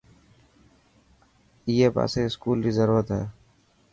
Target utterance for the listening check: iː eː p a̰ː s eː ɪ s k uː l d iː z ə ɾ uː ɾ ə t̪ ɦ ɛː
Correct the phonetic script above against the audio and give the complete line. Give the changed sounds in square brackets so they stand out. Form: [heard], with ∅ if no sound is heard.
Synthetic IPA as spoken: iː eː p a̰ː s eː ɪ s k uː l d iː z ə ɾ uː ɾ ə t̪ ɦ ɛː